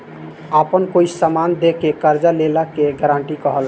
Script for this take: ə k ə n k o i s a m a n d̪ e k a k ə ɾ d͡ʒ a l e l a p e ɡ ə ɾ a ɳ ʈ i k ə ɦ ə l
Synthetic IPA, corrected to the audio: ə p ə n k o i s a m a n d̪ e k e k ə ɾ d͡ʒ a l e l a k e ɡ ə ɾ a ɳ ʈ i k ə ɦ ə l